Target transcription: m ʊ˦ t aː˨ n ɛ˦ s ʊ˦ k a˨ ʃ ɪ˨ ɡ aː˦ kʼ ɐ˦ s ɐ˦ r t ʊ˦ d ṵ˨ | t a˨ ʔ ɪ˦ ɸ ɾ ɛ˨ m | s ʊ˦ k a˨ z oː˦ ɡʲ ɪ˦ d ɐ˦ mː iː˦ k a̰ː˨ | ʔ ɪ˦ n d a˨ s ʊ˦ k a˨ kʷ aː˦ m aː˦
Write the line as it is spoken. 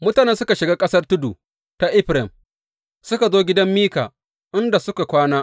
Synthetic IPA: m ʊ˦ t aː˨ n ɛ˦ s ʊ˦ k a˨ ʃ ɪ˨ ɡ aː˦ kʼ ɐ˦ s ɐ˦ r t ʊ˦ d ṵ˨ | t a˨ ʔ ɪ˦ ɸ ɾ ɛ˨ m | s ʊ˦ k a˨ z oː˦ ɡʲ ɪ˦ d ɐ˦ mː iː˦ k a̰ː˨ | ʔ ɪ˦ n d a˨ s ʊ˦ k a˨ kʷ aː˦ n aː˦